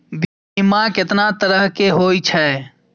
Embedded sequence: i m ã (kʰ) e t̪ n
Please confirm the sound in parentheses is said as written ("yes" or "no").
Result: no